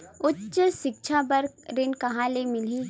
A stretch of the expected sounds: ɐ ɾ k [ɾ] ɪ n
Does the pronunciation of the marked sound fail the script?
no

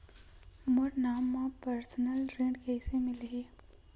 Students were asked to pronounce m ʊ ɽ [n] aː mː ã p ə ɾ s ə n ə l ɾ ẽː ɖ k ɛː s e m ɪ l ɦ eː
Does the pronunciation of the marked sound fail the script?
no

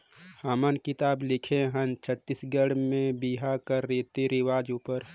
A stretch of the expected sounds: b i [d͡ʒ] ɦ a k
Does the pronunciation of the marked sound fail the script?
yes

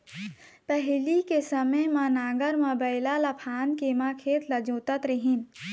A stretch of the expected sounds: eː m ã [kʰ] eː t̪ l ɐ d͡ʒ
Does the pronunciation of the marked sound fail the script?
no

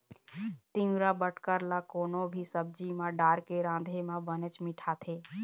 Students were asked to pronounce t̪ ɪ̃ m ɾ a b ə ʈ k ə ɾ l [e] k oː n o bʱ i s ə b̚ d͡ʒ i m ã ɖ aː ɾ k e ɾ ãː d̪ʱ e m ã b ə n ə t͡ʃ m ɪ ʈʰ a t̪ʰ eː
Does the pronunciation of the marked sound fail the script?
yes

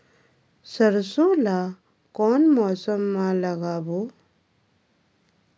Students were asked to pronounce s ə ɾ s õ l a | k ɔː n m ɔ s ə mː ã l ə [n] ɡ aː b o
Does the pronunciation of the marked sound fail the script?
yes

